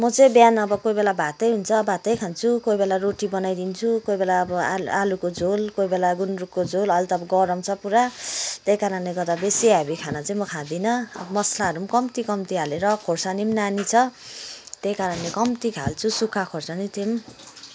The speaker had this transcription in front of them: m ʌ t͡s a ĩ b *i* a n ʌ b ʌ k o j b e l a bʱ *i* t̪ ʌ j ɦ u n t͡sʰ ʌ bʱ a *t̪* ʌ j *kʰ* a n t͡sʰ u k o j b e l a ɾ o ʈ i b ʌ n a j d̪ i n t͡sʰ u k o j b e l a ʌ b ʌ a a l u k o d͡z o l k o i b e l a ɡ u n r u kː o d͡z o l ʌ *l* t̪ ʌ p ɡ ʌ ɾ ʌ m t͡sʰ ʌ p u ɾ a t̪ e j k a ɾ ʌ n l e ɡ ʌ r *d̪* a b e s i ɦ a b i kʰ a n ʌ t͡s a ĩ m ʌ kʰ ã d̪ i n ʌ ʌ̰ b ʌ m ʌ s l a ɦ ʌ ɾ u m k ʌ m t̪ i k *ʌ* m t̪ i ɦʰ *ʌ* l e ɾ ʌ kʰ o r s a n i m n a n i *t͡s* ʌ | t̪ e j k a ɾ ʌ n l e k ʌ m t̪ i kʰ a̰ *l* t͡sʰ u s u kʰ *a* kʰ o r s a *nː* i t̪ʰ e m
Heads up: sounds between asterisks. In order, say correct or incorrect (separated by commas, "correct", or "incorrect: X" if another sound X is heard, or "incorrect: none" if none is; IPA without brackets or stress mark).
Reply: incorrect: j, incorrect: a, correct, correct, correct, correct, correct, incorrect: a, incorrect: t͡sʰ, correct, correct, incorrect: n